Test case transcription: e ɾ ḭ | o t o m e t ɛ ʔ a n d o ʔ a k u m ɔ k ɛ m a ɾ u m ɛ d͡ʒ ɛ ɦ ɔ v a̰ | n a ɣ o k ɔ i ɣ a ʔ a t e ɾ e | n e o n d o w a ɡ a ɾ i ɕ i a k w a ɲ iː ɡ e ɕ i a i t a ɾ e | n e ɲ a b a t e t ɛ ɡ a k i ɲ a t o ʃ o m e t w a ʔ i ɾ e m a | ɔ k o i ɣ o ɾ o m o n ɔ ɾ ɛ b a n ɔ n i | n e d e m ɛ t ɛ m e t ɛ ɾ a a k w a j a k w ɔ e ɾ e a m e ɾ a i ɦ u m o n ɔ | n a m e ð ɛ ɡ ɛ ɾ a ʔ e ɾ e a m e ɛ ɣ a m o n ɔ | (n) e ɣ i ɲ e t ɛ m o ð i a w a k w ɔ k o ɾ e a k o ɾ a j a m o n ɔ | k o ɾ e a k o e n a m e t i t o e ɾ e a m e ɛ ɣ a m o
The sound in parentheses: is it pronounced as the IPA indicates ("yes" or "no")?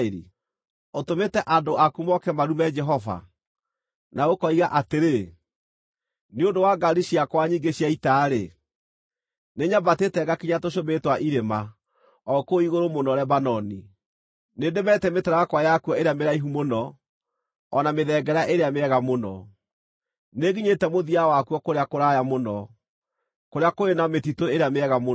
yes